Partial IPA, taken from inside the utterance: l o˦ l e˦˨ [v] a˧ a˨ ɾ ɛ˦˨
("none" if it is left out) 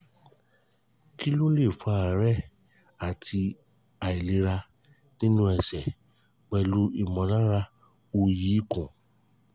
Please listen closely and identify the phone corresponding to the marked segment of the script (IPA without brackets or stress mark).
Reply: f